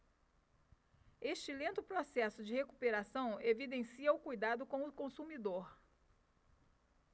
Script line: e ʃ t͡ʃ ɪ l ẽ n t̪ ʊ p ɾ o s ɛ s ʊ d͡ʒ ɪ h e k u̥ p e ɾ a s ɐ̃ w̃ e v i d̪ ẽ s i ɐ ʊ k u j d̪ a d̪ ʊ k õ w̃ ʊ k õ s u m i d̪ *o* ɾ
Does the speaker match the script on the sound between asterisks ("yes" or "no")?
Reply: yes